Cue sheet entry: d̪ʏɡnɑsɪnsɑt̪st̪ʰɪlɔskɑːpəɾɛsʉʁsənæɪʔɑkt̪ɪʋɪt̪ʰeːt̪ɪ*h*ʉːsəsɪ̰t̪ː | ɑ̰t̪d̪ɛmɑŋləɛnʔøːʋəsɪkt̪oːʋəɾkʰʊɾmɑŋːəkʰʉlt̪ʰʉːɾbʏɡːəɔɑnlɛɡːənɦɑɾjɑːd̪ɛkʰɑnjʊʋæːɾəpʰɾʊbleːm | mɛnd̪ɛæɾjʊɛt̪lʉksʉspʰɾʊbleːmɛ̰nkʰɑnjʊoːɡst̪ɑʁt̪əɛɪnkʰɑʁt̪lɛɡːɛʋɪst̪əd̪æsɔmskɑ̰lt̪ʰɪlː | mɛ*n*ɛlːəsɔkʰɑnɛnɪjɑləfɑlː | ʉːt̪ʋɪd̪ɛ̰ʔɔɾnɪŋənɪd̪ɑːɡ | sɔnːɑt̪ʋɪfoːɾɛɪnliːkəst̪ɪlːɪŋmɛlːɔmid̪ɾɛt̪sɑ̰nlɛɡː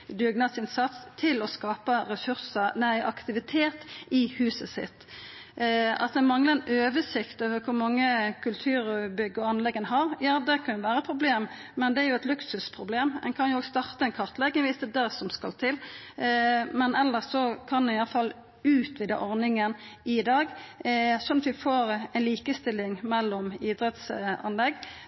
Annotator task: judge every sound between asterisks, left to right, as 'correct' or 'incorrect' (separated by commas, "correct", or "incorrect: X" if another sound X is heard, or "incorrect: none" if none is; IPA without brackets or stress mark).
correct, correct